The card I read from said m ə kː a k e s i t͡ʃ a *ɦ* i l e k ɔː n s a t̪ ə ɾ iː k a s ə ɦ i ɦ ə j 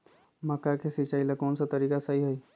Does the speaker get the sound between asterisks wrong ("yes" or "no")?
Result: yes